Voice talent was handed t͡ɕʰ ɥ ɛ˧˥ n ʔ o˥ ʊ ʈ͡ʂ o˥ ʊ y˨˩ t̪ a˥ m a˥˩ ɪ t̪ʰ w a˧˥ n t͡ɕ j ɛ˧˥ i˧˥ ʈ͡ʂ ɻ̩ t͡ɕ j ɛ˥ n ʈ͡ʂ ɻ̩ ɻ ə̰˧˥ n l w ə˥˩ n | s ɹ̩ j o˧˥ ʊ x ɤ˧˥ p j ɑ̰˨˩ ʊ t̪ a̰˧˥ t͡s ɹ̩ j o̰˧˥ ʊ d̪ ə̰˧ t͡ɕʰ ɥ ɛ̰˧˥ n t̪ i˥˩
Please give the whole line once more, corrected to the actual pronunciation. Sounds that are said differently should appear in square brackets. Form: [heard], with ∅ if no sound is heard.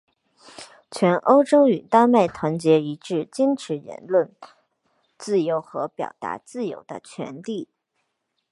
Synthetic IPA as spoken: t͡ɕʰ ɥ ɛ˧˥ n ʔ o˥ ʊ ʈ͡ʂ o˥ ʊ y˨˩ t̪ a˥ m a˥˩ ɪ t̪ʰ w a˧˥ n t͡ɕ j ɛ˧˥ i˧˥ ʈ͡ʂ ɻ̩ t͡ɕ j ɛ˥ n [ʈ͡ʂʰ] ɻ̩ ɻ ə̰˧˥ n l w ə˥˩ n | [t͡s] ɹ̩ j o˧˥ ʊ x ɤ˧˥ p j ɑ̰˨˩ ʊ t̪ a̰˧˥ t͡s ɹ̩ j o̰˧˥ ʊ d̪ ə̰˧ t͡ɕʰ ɥ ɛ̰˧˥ n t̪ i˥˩